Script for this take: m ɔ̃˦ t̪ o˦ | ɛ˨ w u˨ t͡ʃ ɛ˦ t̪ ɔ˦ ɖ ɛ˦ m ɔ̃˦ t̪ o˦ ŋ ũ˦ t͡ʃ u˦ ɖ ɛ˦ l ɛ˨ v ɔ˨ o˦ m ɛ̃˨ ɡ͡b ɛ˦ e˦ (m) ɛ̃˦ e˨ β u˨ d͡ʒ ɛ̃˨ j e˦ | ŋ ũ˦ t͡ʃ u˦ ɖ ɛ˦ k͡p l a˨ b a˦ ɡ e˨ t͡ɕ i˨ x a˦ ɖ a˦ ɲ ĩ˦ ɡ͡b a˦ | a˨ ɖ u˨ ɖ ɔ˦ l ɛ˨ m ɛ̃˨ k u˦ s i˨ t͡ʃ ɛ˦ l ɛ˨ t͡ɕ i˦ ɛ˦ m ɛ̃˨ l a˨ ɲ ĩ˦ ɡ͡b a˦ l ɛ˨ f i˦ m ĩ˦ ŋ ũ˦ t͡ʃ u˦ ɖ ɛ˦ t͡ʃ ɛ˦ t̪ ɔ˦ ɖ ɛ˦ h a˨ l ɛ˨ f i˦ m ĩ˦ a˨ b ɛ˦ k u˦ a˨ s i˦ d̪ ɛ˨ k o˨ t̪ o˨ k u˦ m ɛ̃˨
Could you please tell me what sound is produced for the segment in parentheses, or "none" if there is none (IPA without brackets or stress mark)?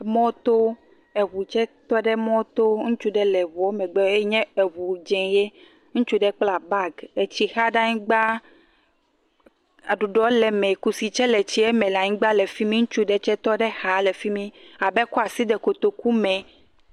ɲ